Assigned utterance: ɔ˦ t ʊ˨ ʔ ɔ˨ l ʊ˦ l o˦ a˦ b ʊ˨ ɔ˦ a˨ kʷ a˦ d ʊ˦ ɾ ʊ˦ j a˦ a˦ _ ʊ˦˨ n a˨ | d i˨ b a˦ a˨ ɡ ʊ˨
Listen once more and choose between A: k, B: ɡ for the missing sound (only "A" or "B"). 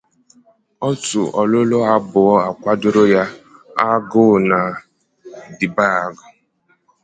B